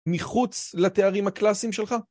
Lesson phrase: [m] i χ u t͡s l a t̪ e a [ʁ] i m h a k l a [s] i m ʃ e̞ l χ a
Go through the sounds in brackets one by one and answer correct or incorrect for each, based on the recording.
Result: correct, correct, correct

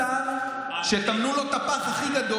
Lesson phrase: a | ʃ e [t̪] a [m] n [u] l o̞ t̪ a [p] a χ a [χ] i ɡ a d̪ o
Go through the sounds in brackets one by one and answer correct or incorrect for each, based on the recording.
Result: correct, correct, correct, correct, correct

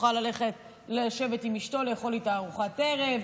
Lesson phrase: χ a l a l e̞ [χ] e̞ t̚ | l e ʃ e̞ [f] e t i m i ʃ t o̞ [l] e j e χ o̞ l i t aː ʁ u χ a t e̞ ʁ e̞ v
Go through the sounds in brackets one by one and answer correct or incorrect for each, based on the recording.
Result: correct, incorrect, correct

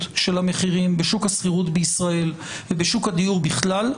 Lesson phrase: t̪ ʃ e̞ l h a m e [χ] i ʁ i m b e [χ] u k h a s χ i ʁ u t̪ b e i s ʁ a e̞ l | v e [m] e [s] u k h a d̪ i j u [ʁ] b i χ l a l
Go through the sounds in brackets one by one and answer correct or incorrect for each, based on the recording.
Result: correct, incorrect, incorrect, incorrect, correct

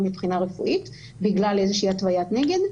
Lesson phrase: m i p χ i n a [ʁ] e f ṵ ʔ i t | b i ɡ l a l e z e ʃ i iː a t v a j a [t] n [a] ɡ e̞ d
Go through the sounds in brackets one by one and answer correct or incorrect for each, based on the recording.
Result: correct, correct, incorrect

